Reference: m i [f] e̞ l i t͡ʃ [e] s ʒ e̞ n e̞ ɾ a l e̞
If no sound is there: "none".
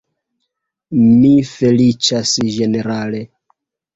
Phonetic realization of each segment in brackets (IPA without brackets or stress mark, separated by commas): f, a